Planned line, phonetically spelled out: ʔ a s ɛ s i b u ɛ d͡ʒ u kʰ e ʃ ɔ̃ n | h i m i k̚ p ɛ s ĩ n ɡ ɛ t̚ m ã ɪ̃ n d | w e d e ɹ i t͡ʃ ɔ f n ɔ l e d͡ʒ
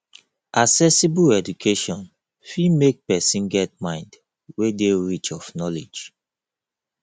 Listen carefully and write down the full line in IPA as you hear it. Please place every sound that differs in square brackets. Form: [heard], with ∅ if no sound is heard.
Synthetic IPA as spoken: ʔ a s ɛ s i b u ɛ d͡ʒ u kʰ e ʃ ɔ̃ n | [f] i m [e] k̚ p ɛ s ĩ n ɡ ɛ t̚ m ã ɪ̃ n d | w e d e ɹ i t͡ʃ ɔ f n ɔ l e d͡ʒ